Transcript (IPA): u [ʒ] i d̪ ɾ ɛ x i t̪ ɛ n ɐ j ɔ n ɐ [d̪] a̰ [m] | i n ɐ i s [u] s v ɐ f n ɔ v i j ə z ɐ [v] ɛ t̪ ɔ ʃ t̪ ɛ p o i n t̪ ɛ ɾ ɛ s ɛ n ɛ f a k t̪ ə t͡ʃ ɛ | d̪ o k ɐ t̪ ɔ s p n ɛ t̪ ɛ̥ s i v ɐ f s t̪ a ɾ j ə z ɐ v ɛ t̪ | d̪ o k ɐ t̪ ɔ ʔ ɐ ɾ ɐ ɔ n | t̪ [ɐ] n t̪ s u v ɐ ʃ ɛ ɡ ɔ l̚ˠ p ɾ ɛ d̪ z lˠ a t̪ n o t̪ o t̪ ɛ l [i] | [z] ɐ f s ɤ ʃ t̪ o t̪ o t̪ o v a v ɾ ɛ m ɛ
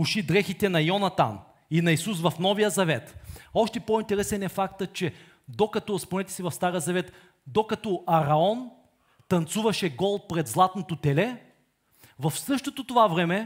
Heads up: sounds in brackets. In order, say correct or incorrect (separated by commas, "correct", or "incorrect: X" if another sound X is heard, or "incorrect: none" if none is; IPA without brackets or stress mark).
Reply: incorrect: ʃ, incorrect: t̪, incorrect: n, correct, correct, correct, incorrect: ɛ, incorrect: v